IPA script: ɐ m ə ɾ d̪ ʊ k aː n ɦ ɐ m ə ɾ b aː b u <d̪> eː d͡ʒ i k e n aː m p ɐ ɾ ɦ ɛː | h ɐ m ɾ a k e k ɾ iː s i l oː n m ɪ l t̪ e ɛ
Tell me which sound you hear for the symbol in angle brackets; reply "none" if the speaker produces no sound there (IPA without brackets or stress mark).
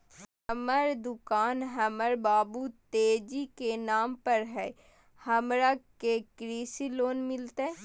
t̪